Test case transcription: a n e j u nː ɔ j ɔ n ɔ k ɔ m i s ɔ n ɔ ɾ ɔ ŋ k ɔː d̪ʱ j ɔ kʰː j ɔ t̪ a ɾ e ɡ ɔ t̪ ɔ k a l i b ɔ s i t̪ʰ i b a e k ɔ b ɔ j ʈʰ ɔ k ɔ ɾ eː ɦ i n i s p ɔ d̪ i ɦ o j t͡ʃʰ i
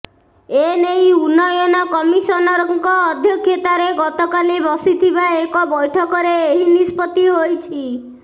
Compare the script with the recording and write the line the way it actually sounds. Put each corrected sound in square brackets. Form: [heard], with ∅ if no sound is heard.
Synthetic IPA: [e] n e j u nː ɔ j ɔ n ɔ k ɔ m i s ɔ n ɔ ɾ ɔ ŋ k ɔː d̪ʱ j ɔ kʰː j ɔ t̪ a ɾ e ɡ ɔ t̪ ɔ k a l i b ɔ s i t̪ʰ i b a e k ɔ b ɔ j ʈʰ ɔ k ɔ ɾ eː ɦ i n i s p ɔ [t̪] i ɦ o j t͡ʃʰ i